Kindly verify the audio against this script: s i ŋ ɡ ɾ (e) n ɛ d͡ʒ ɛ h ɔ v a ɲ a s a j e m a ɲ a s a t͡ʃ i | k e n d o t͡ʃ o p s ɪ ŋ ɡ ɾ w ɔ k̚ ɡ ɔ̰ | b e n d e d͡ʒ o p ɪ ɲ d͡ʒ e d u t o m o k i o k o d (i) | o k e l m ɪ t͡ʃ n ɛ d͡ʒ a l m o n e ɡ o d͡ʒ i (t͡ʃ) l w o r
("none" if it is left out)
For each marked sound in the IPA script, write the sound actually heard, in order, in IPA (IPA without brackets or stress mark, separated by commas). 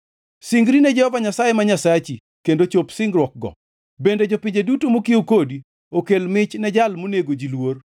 i, i, none